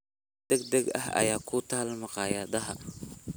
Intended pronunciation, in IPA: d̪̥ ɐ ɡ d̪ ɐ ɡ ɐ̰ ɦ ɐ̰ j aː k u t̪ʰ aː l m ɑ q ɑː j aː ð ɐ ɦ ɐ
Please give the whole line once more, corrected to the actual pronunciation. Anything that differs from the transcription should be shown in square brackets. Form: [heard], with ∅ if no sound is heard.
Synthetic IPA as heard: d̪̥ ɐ ɡ d̪ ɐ ɡ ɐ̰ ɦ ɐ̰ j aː [kʰ] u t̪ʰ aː l m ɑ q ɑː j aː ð ɐ ɦ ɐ